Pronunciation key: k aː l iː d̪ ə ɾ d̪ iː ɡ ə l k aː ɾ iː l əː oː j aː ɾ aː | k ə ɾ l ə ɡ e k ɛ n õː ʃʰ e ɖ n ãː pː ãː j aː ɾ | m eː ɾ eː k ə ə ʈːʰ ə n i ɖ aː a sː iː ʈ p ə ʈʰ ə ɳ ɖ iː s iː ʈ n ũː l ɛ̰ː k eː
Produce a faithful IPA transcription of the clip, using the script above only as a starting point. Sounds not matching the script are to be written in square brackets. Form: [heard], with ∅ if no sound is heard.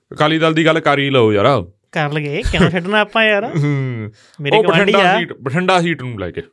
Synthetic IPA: k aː l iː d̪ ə [l] d̪ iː ɡ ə l k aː ɾ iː l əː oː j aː ɾ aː | k ə ɾ l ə ɡ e k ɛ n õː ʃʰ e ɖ n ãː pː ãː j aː ɾ | m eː ɾ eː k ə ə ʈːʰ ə [ɳ] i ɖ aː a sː iː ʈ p ə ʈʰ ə ɳ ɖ [aː] s iː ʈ n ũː l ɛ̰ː k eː